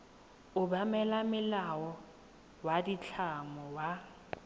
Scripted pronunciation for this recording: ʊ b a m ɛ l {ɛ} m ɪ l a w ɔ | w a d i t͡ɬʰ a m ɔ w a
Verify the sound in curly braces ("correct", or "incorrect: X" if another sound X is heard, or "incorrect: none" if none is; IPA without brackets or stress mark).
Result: incorrect: a